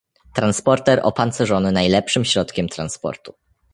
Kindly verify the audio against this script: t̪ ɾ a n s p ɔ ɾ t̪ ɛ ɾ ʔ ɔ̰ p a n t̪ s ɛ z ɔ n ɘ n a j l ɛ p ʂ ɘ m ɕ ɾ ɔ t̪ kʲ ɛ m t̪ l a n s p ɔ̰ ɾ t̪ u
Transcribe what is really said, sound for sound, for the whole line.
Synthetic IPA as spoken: t̪ ɾ a n s p ɔ ɾ t̪ ɛ ɾ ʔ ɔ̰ p a n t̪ s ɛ ʐ ɔ n ɘ n a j l ɛ p ʂ ɘ m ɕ ɾ ɔ t̪ kʲ ɛ m t̪ ɾ a n s p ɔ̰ ɾ t̪ u